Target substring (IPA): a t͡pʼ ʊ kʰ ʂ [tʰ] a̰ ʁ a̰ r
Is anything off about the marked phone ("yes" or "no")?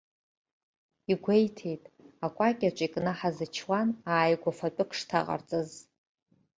no